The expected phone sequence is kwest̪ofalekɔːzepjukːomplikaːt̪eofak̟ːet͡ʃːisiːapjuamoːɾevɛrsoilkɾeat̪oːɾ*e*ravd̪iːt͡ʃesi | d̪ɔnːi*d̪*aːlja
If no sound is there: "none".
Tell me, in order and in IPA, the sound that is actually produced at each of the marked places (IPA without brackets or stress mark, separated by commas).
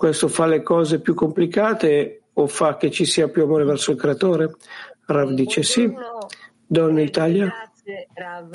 e, t̪